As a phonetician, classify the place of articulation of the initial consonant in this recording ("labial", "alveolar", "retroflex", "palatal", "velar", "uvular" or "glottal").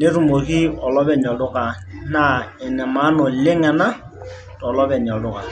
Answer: alveolar